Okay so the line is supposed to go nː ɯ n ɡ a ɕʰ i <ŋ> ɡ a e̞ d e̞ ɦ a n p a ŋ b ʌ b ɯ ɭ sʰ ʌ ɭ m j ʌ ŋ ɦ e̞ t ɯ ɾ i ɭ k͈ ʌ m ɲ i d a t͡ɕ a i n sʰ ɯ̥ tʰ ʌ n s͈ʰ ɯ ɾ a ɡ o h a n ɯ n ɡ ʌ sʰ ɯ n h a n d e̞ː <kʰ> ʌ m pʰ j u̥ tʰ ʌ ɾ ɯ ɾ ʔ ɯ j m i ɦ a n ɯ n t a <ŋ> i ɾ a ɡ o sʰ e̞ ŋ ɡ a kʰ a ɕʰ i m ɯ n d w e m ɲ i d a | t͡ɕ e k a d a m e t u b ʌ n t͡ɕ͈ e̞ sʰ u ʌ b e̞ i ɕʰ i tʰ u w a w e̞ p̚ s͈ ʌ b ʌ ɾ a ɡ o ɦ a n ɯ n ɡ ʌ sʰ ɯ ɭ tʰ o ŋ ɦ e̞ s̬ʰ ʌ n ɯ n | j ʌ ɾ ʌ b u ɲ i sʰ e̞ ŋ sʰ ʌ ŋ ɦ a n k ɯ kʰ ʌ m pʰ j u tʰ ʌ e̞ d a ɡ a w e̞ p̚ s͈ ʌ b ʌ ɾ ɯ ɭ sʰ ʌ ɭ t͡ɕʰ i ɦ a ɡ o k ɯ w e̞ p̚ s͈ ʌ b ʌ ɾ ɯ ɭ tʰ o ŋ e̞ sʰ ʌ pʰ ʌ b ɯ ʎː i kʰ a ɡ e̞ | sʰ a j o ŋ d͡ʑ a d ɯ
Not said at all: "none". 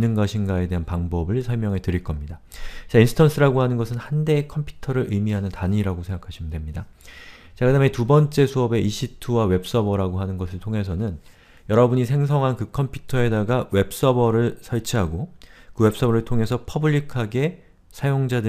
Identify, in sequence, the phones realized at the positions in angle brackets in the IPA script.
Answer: n, kʰ, ɲ

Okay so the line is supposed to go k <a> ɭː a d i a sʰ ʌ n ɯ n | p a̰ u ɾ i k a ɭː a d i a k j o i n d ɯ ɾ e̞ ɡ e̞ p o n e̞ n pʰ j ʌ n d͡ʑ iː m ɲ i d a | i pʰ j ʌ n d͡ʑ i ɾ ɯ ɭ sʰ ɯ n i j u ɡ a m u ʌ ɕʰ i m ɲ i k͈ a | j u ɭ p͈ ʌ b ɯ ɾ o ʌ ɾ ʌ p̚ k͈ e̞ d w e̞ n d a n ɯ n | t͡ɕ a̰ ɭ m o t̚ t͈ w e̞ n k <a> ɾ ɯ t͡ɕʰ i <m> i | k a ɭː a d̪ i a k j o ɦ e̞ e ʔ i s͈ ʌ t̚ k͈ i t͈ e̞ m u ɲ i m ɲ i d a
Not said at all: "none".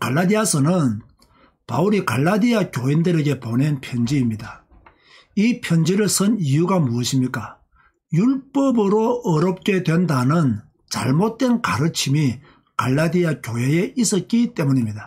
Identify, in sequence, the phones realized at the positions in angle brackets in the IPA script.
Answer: a, a, m

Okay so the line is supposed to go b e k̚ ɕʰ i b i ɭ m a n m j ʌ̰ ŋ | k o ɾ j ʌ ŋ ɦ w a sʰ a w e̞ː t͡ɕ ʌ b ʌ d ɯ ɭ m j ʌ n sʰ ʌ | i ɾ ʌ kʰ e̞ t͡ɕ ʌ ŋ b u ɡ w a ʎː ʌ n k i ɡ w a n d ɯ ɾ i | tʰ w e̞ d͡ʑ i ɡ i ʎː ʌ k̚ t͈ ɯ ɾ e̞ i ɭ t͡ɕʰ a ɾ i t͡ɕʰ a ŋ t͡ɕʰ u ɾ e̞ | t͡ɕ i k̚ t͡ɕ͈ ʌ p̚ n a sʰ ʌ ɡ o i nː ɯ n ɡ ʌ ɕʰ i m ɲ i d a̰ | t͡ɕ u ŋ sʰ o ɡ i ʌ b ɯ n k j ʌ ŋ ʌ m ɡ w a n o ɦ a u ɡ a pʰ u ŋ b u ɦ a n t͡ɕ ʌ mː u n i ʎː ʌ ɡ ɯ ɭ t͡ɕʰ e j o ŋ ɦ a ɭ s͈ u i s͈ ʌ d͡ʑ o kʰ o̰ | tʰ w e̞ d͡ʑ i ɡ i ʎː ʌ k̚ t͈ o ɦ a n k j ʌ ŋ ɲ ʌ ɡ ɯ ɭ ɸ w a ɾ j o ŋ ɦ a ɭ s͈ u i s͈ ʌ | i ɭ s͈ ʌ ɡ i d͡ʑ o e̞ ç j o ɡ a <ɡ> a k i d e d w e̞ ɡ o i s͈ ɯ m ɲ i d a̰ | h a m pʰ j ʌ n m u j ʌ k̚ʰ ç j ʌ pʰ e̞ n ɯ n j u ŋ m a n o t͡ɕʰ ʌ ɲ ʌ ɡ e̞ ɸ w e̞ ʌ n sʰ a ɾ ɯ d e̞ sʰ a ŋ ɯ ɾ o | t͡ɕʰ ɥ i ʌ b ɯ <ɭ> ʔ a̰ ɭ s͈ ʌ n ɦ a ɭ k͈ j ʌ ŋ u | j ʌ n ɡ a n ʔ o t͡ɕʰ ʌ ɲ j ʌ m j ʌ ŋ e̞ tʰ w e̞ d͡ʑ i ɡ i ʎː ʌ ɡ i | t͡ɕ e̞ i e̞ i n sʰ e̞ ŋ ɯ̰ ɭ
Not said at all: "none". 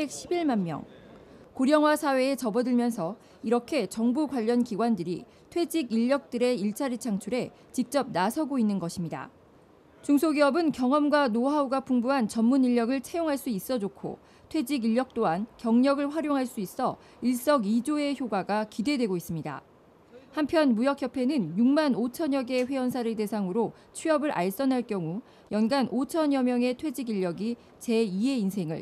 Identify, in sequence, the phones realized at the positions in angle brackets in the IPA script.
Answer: ɡ, ɾ

